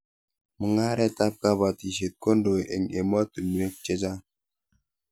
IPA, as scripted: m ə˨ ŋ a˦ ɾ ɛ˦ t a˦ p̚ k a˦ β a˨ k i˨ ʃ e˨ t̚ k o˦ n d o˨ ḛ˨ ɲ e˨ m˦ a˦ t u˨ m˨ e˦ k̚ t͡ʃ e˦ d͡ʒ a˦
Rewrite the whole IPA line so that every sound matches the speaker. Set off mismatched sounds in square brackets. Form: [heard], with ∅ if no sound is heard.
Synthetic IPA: m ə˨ ŋ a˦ ɾ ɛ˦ t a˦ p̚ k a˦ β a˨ [t] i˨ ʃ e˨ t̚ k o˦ n d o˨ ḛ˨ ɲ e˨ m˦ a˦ t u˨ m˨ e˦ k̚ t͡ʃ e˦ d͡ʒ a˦